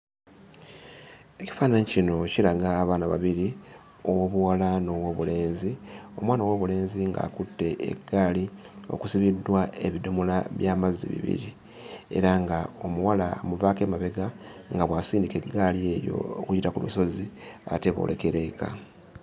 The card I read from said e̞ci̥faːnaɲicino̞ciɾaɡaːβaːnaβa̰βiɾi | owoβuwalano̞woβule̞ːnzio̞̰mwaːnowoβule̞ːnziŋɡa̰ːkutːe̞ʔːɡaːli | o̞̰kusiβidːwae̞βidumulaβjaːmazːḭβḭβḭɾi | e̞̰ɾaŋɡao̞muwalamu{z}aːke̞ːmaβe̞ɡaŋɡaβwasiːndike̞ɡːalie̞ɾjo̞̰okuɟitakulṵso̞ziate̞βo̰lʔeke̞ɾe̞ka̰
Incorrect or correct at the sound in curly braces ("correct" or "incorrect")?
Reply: incorrect